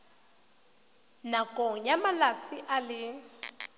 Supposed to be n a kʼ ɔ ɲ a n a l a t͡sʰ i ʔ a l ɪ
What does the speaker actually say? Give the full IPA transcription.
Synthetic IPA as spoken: n a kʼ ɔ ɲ a m a l a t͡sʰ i ʔ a l ɪ